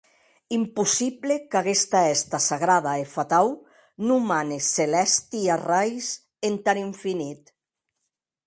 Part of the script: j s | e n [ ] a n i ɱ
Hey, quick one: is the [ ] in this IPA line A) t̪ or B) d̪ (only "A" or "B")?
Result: A